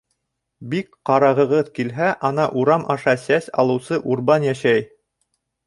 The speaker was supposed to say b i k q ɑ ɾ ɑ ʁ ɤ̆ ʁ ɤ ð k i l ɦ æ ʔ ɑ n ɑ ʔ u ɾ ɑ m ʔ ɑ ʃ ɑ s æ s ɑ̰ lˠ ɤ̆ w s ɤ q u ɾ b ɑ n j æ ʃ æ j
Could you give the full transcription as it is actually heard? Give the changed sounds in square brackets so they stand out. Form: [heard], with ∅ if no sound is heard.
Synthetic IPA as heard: b i k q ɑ ɾ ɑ ʁ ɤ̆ ʁ ɤ ð k i l ɦ æ ʔ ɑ n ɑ ʔ u ɾ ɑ m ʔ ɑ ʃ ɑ s æ s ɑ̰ lˠ ɤ̆ w s ɤ [ʔ] u ɾ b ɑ n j æ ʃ æ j